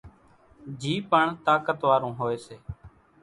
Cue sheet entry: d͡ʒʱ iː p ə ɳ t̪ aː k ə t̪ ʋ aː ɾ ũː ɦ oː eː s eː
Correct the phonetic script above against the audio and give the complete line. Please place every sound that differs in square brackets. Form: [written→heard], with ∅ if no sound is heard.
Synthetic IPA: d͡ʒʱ iː p ə ɳ t̪ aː k ə t̪ ʋ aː ɾ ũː ɦ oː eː s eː